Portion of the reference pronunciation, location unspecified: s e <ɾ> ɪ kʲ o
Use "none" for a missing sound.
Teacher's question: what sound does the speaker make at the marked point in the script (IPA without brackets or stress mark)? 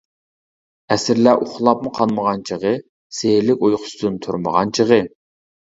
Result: l